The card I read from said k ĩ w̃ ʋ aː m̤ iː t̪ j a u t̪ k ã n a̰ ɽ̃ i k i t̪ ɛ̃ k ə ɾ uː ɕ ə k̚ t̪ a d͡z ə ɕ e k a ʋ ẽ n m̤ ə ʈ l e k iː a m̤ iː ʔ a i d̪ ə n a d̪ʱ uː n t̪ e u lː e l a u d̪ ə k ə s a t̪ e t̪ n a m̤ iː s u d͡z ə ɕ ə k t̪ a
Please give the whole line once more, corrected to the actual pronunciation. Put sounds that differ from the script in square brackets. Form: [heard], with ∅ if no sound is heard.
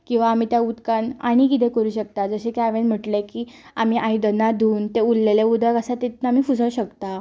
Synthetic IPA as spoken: k ĩ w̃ ʋ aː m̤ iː t̪ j a u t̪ k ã n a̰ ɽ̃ i k i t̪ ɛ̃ k ə ɾ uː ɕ ə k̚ t̪ a d͡z ə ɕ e k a ʋ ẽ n m̤ ə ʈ l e k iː a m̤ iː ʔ a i d̪ ə n a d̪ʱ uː n t̪ e u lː e l [e] u d̪ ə k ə s a t̪ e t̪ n a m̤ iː [f] u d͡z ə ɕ ə k t̪ a